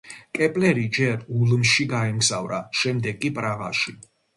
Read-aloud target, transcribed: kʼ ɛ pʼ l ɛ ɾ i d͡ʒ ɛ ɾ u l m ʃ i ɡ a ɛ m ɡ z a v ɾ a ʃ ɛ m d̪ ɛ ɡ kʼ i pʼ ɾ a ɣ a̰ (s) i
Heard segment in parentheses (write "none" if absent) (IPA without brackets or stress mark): ʃ